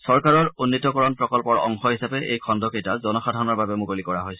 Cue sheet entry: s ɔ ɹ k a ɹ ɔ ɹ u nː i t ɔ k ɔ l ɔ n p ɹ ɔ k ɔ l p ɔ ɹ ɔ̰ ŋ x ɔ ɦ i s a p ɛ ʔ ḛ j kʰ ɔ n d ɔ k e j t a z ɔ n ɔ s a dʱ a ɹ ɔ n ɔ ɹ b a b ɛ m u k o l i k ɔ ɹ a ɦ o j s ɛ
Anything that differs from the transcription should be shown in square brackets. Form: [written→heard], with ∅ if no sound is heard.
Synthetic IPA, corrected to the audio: s ɔ ɹ k a ɹ ɔ ɹ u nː i t ɔ k ɔ [l→ɹ] ɔ n p ɹ ɔ k ɔ l p ɔ ɹ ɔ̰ ŋ x ɔ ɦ i s a p ɛ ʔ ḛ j kʰ ɔ n d ɔ k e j t a z ɔ n ɔ [s→x] a dʱ a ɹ ɔ n ɔ ɹ b a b ɛ m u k o l i k ɔ ɹ a ɦ o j s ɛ